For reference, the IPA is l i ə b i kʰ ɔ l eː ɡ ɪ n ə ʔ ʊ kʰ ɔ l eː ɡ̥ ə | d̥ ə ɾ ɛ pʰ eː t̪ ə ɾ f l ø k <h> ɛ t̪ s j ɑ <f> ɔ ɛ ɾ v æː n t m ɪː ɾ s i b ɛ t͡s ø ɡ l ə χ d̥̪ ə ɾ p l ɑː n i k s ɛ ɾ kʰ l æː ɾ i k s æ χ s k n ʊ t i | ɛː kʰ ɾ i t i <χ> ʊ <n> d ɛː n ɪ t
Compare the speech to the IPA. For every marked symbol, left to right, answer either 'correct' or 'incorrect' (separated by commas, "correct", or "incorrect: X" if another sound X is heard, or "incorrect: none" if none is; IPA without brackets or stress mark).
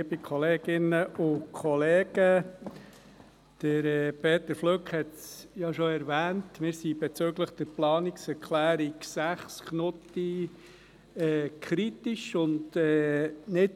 correct, incorrect: ʃ, incorrect: ʃ, correct